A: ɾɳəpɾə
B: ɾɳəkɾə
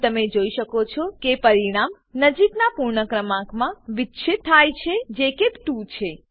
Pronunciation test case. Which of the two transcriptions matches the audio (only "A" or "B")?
B